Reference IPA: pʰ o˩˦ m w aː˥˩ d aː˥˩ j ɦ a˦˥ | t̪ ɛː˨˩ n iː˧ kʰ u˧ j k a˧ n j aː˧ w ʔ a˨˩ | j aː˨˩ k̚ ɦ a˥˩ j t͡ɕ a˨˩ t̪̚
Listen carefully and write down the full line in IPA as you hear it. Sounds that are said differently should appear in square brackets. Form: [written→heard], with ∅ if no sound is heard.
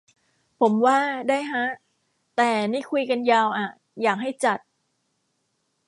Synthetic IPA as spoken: pʰ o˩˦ m w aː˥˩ d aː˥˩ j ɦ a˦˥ | t̪ ɛː˨˩ n [iː˧→iː˥˩] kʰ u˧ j k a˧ n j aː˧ w ʔ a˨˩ | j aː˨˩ k̚ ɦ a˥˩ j t͡ɕ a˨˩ t̪̚